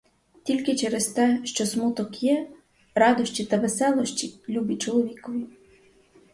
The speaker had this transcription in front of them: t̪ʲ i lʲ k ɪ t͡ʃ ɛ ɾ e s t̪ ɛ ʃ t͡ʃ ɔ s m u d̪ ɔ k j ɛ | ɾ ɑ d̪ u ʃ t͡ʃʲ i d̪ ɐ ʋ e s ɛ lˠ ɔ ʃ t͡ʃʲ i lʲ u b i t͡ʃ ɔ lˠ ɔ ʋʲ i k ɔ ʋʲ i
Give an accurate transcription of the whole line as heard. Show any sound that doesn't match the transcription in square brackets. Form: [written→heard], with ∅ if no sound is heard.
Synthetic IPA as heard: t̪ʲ i lʲ k ɪ t͡ʃ ɛ ɾ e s t̪ ɛ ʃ t͡ʃ ɔ s m u [d̪→t̪] ɔ k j ɛ | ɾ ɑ d̪ [u→ɔ] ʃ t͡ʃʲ i [d̪→t̪] ɐ ʋ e s ɛ lˠ ɔ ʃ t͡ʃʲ i lʲ u b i t͡ʃ ɔ lˠ ɔ ʋʲ i k ɔ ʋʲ i